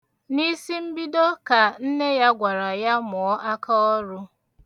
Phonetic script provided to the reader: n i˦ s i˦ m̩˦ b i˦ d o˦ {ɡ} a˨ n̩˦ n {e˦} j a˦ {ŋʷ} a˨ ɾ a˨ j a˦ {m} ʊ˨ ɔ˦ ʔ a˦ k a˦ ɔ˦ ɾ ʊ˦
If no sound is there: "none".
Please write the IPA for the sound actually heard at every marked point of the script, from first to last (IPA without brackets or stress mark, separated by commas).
k, e˦, ɡʷ, m